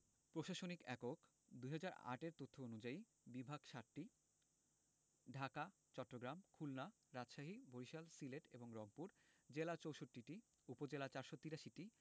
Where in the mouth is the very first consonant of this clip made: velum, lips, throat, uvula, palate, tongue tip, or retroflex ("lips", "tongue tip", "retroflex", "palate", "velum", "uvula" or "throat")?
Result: lips